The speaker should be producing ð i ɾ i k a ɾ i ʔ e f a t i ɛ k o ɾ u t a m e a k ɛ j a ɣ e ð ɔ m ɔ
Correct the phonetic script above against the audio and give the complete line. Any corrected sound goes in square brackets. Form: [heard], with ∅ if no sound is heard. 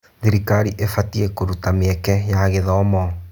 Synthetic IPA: ð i ɾ i k a ɾ i ʔ e f a t i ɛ k o ɾ u t a m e [ɛ] k ɛ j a ɣ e ð ɔ m ɔ